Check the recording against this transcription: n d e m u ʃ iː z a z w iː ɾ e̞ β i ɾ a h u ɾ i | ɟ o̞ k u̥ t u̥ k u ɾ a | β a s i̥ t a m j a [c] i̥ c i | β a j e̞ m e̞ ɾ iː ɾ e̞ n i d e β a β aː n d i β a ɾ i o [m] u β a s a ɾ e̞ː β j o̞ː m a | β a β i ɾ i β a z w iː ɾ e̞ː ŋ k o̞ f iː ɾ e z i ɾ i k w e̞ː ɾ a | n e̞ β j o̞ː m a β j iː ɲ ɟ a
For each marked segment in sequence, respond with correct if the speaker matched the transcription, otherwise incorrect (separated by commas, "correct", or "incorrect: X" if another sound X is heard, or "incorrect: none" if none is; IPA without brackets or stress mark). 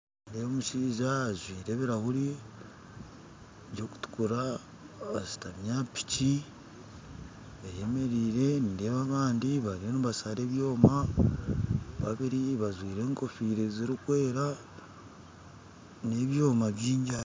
incorrect: p, incorrect: n